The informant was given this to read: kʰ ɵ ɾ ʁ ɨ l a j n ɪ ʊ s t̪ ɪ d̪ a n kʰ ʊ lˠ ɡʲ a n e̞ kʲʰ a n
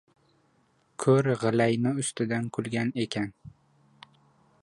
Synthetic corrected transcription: kʰ ɵ ɾ ʁ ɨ l a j n ɪ ʊ s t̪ ɪ d̪ a n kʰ ʊ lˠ ɡʲ a n e̞ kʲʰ a n